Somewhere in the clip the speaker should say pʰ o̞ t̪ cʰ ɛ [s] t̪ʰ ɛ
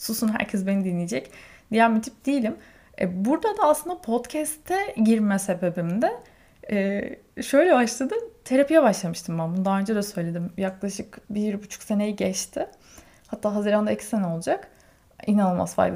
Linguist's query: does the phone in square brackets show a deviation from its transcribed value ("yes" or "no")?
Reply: no